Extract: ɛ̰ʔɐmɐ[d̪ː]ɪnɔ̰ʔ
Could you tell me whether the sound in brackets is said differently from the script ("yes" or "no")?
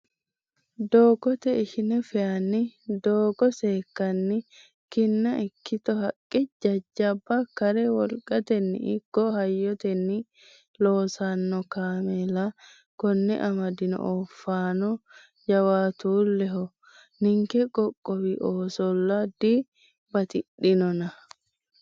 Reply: yes